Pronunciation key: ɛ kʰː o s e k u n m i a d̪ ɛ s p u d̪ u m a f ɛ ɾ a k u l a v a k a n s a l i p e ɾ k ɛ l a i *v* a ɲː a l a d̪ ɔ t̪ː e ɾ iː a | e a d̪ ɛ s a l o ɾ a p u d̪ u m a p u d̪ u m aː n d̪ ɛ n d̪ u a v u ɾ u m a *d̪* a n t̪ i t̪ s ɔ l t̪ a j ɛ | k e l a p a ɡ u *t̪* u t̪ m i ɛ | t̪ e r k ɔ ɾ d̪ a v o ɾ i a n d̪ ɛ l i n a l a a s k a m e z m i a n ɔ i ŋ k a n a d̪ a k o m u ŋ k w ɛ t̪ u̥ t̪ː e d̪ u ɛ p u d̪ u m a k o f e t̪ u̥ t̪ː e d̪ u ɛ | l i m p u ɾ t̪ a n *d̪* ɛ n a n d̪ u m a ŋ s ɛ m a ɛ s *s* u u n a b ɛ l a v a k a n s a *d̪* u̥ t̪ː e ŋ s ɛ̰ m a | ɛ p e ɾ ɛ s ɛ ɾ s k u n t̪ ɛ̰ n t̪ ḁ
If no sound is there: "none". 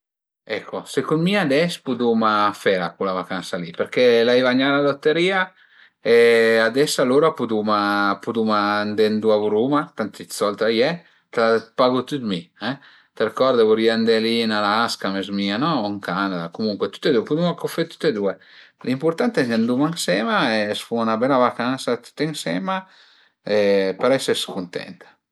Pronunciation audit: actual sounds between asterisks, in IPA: v, t̪, t̪, t̪, f, t̪

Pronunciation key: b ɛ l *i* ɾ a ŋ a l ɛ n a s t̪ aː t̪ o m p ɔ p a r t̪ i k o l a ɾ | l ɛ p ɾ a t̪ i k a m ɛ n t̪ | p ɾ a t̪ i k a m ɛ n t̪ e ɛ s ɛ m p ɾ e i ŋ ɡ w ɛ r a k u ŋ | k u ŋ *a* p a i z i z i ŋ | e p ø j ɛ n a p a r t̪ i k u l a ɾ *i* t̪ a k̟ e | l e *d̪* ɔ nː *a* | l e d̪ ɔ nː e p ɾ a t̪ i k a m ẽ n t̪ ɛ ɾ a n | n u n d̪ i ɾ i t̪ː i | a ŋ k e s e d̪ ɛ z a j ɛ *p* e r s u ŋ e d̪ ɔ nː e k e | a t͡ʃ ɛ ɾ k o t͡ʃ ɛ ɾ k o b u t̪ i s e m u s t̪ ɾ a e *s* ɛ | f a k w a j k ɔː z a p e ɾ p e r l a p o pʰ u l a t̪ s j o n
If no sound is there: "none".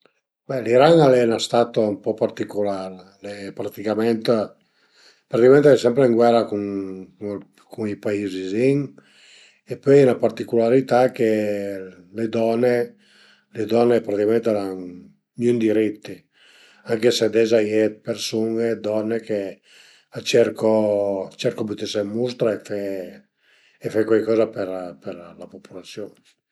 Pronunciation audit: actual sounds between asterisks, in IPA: i, i, i, d̪, e, p, f

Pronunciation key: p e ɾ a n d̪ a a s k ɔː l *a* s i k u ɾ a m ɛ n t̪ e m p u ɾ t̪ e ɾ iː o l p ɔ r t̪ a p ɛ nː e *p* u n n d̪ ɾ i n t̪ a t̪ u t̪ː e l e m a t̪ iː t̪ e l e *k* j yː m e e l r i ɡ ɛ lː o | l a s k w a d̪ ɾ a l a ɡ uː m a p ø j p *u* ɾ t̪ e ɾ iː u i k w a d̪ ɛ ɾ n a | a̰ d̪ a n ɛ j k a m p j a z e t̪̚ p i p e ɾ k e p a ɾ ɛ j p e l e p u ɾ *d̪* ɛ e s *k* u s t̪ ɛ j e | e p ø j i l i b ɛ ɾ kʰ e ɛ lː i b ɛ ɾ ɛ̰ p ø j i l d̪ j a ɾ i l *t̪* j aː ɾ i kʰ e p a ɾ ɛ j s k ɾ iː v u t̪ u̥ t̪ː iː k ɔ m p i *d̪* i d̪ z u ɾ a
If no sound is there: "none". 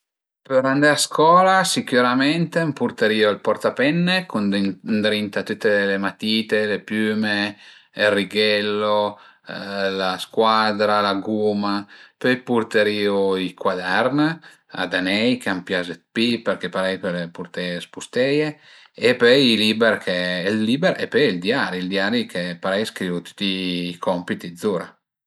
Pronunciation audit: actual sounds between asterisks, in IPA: a, k, p, u, t̪, p, d̪, t̪

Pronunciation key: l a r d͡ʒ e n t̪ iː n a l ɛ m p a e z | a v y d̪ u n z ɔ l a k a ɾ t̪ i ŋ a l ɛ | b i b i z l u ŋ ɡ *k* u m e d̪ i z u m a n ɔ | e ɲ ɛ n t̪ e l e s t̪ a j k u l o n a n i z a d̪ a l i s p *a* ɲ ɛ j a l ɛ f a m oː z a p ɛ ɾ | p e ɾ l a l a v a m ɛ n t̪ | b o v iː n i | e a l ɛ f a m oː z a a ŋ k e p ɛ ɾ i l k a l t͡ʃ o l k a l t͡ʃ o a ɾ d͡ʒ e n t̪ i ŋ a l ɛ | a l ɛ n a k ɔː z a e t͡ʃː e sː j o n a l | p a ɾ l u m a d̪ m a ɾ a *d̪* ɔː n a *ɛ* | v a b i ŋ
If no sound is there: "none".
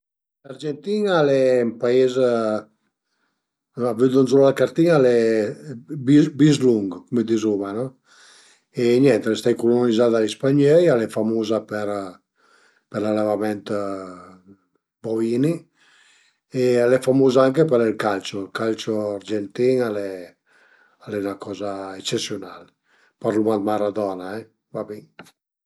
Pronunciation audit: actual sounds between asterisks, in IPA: k, a, d̪, ɛ

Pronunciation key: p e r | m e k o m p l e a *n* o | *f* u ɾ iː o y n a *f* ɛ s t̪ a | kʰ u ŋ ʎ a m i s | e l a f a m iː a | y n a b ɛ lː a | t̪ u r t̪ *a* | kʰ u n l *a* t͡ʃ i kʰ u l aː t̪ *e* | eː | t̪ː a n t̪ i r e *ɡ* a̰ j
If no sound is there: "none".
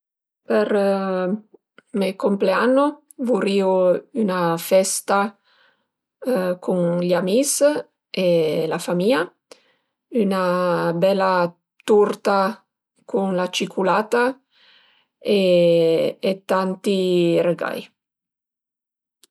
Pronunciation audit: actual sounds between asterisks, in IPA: nː, v, f, a, a, a, ɡ

